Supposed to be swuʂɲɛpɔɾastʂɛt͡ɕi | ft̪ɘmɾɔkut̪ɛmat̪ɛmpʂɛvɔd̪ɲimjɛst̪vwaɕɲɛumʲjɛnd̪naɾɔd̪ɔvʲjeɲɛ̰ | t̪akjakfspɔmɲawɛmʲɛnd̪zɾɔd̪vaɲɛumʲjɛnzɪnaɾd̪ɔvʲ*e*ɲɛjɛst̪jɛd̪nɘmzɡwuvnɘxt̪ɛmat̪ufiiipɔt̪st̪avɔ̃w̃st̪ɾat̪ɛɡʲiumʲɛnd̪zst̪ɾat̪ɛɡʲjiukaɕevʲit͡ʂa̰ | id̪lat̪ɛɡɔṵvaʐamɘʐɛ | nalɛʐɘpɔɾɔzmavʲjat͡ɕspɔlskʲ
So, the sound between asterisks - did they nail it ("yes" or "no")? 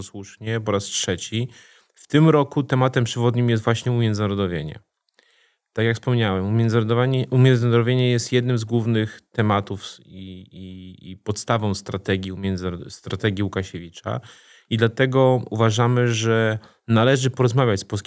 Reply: yes